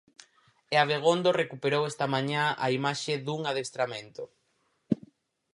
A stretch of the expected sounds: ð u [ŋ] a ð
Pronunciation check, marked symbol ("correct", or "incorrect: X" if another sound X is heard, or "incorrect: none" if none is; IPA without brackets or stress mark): correct